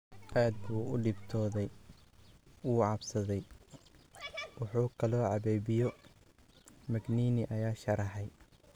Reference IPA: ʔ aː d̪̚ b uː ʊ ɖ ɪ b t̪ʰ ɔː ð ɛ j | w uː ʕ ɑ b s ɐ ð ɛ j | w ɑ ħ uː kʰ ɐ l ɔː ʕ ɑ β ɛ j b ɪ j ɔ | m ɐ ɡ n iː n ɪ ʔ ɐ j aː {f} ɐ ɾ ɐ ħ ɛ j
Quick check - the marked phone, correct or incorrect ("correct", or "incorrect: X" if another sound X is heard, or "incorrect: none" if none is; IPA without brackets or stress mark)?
incorrect: ʃ